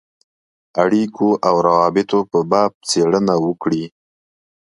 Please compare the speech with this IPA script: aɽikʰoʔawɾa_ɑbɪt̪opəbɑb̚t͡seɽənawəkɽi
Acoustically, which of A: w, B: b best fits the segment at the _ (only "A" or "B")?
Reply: A